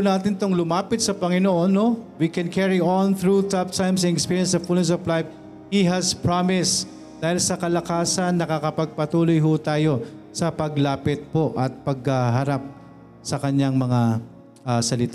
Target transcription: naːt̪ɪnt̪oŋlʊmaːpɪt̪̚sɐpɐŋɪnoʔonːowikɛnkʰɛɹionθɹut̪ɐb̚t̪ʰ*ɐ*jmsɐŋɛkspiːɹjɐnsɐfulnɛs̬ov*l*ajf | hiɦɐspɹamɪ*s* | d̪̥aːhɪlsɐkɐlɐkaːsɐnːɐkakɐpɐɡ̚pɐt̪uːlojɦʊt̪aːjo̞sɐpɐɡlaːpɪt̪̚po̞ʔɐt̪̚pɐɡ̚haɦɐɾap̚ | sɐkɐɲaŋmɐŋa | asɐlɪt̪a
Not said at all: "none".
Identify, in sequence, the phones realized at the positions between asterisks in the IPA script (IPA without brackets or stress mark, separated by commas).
a, l, s